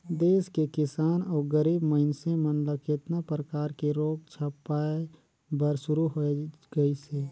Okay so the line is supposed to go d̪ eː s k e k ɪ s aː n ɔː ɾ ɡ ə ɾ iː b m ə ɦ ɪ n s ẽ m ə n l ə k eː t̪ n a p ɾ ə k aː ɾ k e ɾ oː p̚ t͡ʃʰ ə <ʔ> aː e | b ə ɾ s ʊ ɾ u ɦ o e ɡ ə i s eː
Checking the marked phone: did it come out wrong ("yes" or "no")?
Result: yes